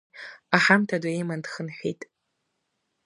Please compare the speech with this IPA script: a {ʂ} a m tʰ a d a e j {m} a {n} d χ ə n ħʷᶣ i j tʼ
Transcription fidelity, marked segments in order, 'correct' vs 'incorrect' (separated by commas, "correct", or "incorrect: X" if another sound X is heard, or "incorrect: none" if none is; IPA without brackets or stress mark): incorrect: ħ, correct, correct